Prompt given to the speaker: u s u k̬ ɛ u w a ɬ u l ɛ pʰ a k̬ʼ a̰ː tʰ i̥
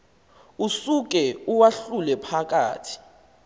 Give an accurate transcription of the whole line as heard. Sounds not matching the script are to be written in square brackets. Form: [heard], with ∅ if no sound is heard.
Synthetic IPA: u s u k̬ ɛ u w a ɬ u l ɛ pʰ a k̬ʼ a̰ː tʰ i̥